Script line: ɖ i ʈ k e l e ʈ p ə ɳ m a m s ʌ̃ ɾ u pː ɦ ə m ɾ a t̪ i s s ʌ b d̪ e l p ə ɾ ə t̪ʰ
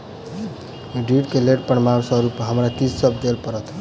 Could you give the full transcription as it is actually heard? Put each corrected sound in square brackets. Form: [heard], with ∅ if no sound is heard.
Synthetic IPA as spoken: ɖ i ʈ k e l e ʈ p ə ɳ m a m s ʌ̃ ɾ u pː ɦ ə m ɾ a t̪ i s s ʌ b d̪ e l p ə ɾ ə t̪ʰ